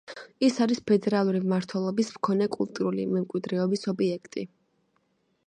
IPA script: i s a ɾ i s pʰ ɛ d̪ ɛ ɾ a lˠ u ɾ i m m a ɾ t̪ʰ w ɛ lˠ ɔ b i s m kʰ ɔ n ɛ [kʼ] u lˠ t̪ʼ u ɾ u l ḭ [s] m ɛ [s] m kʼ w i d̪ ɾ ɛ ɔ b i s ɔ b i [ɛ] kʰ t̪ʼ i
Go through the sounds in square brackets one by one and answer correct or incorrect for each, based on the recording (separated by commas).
correct, incorrect, incorrect, correct